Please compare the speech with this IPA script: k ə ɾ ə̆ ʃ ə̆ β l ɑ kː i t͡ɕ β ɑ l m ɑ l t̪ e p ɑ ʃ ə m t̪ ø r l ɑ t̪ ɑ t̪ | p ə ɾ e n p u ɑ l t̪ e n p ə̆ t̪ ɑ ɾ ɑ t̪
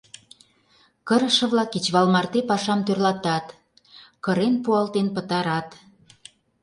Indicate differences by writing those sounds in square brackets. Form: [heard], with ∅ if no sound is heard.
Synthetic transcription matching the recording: k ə ɾ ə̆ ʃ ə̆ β l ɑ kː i t͡ɕ β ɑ l m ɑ [r] t̪ e p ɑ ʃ [ɑ] m t̪ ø r l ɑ t̪ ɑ t̪ | [k] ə ɾ e n p u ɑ l t̪ e n p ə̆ t̪ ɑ ɾ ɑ t̪